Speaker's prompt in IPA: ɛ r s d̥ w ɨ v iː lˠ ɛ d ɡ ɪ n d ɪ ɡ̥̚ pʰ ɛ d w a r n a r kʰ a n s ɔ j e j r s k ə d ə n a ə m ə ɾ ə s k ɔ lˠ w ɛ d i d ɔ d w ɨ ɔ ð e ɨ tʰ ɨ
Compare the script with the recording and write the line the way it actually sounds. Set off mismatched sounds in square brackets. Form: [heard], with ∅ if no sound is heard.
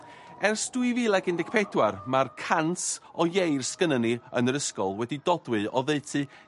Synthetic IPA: ɛ r s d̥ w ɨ v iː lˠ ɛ [∅] ɡ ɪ n d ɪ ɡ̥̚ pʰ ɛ d w a r [m] a r kʰ a n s ɔ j e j r s k ə [n] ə n [i] ə [n] ə ɾ ə s k ɔ lˠ w ɛ d i d ɔ d w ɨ ɔ ð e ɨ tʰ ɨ